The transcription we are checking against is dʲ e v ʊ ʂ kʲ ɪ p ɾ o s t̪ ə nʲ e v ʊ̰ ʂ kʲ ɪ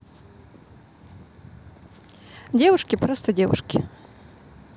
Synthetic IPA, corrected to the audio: dʲ e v ʊ ʂ kʲ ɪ p ɾ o s t̪ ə dʲ e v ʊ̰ ʂ kʲ ɪ